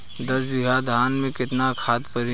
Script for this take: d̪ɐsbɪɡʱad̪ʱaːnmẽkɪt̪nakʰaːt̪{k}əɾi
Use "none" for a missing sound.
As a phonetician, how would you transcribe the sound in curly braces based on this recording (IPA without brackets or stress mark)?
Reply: p